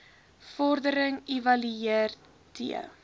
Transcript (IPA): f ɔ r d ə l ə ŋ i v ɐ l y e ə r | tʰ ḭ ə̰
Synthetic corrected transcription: f ɔ r d ə ɾ ə ŋ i v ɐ l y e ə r | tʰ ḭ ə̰